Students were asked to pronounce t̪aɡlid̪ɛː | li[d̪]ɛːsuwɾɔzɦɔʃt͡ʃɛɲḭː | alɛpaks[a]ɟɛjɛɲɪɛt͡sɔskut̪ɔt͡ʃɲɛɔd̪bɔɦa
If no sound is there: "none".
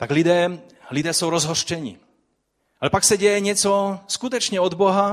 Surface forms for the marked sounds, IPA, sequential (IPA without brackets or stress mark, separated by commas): d̪, a